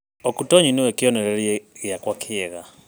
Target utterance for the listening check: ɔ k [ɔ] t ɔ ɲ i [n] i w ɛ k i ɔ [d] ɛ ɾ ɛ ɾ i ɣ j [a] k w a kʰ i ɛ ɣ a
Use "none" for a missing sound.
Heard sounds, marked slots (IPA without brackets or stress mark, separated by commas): u, n, n, a